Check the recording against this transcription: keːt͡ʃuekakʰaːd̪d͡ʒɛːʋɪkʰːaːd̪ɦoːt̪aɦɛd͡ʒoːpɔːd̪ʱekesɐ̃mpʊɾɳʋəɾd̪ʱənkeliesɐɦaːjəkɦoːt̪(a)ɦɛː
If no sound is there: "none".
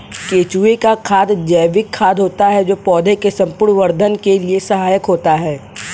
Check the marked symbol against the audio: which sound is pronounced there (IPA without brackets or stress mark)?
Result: a